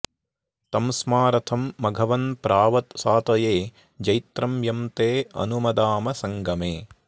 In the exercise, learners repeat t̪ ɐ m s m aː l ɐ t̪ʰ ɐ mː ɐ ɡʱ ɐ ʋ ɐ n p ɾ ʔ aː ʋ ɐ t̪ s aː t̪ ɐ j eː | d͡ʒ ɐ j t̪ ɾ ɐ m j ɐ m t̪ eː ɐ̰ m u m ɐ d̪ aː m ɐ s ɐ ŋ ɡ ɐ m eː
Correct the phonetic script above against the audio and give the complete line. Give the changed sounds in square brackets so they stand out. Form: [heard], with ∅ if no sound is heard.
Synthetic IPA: t̪ ɐ m s m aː [ɾ] ɐ t̪ʰ ɐ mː ɐ ɡʱ ɐ ʋ ɐ n p ɾ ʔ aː ʋ ɐ t̪ s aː t̪ ɐ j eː | d͡ʒ ɐ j t̪ ɾ ɐ m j ɐ m t̪ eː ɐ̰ [n] u m ɐ d̪ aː m ɐ s ɐ ŋ ɡ ɐ m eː

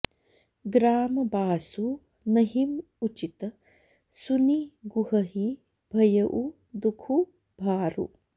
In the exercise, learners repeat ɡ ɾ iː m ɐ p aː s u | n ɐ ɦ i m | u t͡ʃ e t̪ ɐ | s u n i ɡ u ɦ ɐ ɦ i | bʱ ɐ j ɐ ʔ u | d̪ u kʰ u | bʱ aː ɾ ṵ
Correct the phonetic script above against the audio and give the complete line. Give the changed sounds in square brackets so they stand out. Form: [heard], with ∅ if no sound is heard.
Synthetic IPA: ɡ ɾ [aː] m ɐ [b] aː s u | n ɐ ɦ i m | u t͡ʃ [i] t̪ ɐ | s u n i ɡ u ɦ ɐ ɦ i | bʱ ɐ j ɐ ʔ u | d̪ u kʰ u | bʱ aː ɾ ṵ

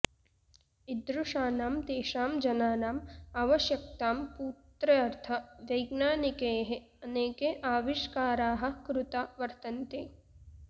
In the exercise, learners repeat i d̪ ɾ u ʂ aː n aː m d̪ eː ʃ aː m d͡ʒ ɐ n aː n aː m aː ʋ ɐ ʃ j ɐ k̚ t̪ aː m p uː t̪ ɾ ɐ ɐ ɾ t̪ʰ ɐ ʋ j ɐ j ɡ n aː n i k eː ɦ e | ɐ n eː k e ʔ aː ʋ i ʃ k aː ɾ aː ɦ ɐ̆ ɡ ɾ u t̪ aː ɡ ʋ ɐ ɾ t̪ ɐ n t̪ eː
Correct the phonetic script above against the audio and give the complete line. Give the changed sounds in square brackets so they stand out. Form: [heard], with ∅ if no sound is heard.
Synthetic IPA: i d̪ ɾ u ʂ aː n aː m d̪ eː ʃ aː m d͡ʒ ɐ n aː n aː m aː ʋ ɐ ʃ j ɐ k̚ t̪ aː m p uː t̪ ɾ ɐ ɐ ɾ t̪ʰ ɐ ʋ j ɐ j ɡ n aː n i k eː ɦ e | ɐ n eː k e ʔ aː ʋ i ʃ k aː ɾ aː ɦ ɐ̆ [k] ɾ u t̪ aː [∅] ʋ ɐ ɾ t̪ ɐ n t̪ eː

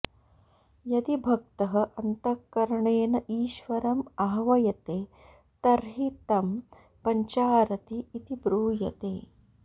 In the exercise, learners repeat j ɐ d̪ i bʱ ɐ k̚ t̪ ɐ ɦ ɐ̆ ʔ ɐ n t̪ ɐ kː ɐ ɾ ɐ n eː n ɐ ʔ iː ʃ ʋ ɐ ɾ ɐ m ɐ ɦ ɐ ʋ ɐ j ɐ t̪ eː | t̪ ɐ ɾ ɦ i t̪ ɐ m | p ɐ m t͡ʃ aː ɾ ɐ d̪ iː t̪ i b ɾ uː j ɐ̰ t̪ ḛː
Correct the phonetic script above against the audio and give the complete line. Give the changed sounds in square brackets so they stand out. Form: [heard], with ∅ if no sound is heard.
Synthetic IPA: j ɐ d̪ i bʱ ɐ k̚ t̪ ɐ ɦ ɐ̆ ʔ ɐ n t̪ ɐ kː ɐ ɾ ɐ [ɳ] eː n ɐ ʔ iː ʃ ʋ ɐ ɾ ɐ m ɐ ɦ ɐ ʋ ɐ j ɐ t̪ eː | t̪ ɐ ɾ ɦ i t̪ ɐ m | p ɐ [ɲ] t͡ʃ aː ɾ ɐ [t̪] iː t̪ i b ɾ uː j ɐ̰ t̪ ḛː

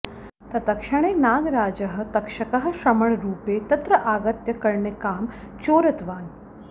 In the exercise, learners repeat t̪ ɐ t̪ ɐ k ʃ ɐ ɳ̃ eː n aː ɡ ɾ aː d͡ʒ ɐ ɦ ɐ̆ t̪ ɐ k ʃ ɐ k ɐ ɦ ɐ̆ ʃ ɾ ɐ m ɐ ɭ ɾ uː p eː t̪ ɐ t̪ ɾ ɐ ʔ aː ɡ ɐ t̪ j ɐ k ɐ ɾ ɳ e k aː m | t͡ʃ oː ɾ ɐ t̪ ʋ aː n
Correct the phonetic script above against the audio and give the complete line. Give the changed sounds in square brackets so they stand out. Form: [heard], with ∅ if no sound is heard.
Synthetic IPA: t̪ ɐ t̪ ɐ k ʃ ɐ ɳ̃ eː n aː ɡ ɾ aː d͡ʒ ɐ ɦ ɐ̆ t̪ ɐ k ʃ ɐ k ɐ ɦ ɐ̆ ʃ ɾ ɐ m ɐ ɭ ɾ uː p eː t̪ ɐ t̪ ɾ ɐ ʔ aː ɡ ɐ t̪ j ɐ k ɐ ɾ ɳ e k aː m | t͡ʃ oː ɾ ɐ t̪ ʋ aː n

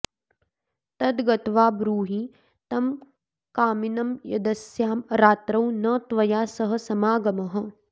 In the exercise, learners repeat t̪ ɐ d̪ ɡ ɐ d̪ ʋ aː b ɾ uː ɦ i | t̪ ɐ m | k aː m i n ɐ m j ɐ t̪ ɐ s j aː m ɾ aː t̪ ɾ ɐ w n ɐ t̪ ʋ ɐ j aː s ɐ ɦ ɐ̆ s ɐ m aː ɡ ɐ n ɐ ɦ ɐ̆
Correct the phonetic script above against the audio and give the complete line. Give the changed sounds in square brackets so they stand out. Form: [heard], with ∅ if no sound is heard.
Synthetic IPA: t̪ ɐ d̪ ɡ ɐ [t̪] ʋ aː b ɾ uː ɦ i | t̪ ɐ m | k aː m i n ɐ m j ɐ [d̪] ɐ s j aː m ɾ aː t̪ ɾ ɐ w n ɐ t̪ ʋ ɐ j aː s ɐ ɦ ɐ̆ s ɐ m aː ɡ ɐ [m] ɐ ɦ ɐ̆

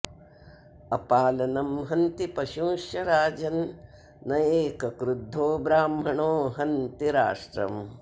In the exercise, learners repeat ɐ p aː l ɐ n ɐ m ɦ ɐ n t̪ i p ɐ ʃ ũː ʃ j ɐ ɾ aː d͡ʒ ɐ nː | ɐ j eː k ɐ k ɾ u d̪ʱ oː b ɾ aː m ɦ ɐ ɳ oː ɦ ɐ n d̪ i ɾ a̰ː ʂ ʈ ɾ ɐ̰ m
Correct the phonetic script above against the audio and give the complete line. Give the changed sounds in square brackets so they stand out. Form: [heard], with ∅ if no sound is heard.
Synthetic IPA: ɐ p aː l ɐ n ɐ m ɦ ɐ n t̪ i p ɐ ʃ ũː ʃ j ɐ ɾ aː d͡ʒ ɐ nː | ɐ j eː k ɐ k ɾ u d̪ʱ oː b ɾ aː m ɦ ɐ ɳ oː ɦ ɐ n [t̪] i ɾ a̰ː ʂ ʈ ɾ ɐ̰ m

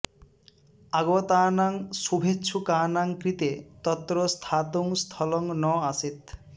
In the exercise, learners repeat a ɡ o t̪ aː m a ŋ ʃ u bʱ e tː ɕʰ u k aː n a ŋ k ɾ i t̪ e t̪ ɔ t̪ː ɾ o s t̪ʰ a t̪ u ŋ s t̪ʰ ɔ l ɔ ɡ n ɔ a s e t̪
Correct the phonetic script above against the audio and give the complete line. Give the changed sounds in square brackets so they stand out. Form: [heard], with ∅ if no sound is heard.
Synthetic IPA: a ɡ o t̪ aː [n] a ŋ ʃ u bʱ e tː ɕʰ u k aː n a ŋ k ɾ i t̪ e t̪ ɔ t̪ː ɾ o s t̪ʰ a t̪ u ŋ s t̪ʰ ɔ l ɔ [ŋ] n ɔ a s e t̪

